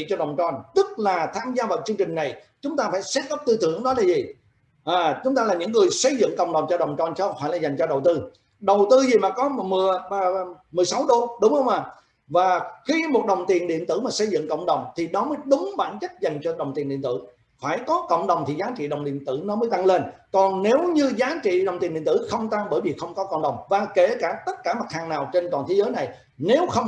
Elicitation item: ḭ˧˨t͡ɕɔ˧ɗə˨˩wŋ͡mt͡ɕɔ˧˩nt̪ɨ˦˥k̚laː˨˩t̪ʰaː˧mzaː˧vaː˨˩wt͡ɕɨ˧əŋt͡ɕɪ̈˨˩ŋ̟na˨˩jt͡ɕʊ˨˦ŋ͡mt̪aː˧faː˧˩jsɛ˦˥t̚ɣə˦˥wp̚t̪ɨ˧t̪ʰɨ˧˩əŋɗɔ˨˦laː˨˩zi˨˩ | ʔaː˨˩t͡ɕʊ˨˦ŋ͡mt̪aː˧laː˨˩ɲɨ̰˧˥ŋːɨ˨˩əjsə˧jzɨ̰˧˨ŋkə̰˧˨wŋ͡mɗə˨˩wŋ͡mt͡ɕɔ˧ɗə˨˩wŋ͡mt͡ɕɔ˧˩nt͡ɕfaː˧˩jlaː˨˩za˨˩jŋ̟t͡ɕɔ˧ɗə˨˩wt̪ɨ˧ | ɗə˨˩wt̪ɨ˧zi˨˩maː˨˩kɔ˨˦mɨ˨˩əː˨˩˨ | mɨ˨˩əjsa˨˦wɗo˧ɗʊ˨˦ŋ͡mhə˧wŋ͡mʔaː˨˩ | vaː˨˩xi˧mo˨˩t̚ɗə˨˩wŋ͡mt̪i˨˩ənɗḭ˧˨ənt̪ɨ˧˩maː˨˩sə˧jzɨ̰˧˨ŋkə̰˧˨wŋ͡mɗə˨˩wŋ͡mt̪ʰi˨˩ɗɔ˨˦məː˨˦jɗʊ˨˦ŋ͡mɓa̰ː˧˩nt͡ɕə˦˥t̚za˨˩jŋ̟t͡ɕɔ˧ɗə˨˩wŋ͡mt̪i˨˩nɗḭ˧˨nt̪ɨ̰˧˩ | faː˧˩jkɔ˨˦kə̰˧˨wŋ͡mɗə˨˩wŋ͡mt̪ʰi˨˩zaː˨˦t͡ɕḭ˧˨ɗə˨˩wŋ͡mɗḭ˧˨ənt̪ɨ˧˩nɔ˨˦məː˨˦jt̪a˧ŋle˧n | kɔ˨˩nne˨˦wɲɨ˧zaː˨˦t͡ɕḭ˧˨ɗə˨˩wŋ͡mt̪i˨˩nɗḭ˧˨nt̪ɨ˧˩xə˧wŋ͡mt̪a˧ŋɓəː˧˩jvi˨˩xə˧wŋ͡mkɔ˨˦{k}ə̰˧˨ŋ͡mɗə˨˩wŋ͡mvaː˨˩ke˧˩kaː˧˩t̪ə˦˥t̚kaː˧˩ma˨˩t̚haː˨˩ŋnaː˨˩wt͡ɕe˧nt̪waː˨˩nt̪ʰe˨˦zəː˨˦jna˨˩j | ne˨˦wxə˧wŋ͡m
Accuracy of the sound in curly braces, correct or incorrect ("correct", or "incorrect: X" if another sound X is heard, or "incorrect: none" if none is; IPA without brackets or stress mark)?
correct